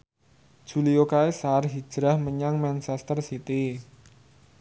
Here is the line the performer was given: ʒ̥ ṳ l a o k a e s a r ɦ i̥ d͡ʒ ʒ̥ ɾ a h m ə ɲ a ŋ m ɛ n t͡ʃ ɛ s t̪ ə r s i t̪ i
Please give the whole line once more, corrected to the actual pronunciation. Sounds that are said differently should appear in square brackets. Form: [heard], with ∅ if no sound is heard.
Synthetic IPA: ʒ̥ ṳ l [i] o k a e s a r ɦ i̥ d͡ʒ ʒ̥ ɾ a h m ə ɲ a ŋ m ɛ n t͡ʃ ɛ s t̪ ə r s i t̪ i